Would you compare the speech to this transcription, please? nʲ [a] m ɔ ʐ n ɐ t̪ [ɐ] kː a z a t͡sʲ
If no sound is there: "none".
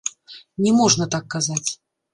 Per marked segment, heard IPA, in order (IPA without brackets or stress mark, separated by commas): ɛ, a